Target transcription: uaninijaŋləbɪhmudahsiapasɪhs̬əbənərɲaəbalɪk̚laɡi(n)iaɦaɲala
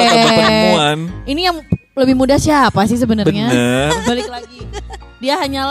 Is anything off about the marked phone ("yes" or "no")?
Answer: yes